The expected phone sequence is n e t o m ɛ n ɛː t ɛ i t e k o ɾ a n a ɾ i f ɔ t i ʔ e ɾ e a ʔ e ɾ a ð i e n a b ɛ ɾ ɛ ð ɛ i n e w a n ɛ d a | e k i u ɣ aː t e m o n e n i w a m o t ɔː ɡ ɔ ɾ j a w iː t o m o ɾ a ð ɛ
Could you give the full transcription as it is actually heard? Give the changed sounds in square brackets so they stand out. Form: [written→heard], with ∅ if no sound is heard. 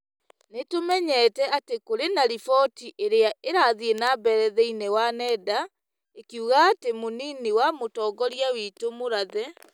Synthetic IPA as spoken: n e t o m ɛ [n→ɲ] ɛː t ɛ [i→a] t e k o ɾ [a→e] n a ɾ i f ɔ t i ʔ e ɾ e a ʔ e ɾ a ð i e n a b ɛ ɾ ɛ ð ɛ i n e w a n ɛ d a | e k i u ɣ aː t e m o n [e→i] n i w a m o t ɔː ɡ ɔ ɾ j a w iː t o m o ɾ a ð ɛ

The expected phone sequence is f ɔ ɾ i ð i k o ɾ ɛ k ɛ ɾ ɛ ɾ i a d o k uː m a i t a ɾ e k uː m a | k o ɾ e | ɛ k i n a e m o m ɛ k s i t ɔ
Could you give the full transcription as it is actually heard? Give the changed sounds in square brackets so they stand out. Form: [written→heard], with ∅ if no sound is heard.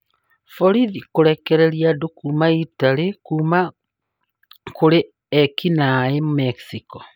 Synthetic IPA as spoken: f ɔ ɾ i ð i k o ɾ ɛ k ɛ ɾ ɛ ɾ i a d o k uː m a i t a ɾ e k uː m a | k o ɾ e | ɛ k i n a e m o m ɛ k s i [t→k] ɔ

